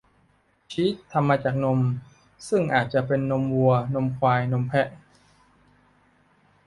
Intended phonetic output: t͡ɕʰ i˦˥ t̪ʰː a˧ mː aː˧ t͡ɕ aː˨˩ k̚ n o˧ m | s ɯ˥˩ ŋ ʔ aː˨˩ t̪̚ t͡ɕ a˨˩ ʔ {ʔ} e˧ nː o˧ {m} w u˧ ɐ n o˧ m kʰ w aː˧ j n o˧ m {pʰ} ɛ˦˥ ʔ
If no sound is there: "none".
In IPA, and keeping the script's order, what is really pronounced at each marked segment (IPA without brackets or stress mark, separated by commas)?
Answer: p, m, pʰ